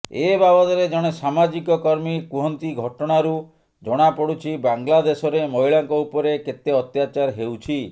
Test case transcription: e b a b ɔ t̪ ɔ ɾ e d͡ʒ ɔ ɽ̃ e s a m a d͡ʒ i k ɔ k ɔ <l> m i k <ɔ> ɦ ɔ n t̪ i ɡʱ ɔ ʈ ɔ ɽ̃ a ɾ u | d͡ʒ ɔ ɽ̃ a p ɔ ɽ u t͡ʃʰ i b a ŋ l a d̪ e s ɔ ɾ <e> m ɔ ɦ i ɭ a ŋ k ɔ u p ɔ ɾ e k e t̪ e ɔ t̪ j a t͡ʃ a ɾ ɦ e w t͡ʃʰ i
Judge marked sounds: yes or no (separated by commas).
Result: no, no, yes